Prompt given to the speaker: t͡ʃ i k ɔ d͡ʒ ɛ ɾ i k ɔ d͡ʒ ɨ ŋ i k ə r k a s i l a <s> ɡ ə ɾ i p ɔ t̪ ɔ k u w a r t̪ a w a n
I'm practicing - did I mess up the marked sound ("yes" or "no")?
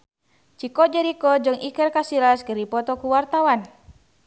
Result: no